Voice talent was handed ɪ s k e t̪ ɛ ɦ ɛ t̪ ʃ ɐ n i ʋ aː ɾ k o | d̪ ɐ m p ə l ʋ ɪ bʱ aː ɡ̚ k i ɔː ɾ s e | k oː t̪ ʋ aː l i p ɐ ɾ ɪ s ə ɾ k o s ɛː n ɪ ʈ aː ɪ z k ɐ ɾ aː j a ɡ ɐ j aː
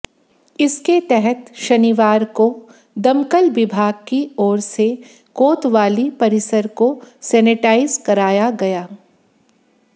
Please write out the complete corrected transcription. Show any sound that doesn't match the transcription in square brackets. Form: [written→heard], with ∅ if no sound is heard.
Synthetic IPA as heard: ɪ s k e t̪ ɛ ɦ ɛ t̪ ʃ ɐ n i ʋ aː ɾ k o | d̪ ɐ m [p→k] ə l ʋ ɪ bʱ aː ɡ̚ k i ɔː ɾ s e | k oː t̪ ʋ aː l i p ɐ ɾ ɪ s ə ɾ k o s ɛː n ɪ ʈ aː ɪ z k ɐ ɾ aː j a ɡ ɐ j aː